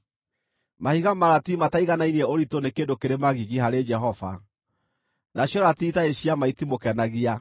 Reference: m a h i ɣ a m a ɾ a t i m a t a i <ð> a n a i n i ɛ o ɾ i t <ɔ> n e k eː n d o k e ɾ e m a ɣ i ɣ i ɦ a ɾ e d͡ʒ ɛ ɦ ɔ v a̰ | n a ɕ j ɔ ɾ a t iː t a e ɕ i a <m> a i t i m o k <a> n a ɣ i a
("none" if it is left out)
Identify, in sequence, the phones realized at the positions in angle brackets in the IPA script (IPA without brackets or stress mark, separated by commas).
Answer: ɣ, o, m, ɛ